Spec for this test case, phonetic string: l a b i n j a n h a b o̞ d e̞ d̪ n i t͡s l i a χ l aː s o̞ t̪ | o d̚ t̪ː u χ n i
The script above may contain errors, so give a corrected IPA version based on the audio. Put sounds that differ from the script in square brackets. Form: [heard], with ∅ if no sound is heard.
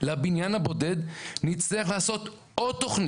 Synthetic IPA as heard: l a b i n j a n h a b o̞ d e̞ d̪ n i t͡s l i a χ l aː s o̞ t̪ | o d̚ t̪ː [o] χ n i